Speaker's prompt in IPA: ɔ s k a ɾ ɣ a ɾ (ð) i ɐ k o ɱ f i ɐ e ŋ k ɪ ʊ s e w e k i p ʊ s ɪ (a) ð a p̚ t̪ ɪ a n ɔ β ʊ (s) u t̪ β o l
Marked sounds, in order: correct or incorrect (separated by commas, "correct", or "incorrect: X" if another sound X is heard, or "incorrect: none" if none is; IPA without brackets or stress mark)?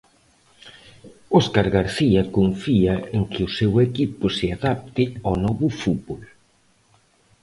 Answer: incorrect: θ, correct, incorrect: f